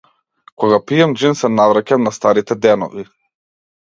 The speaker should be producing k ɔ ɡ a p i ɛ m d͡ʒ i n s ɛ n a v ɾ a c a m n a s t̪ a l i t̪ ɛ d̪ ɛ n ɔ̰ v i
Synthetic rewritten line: k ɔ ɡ a p i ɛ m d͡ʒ i n s ɛ n a v ɾ a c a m n a s t̪ a ɾ i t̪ ɛ d̪ ɛ n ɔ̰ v i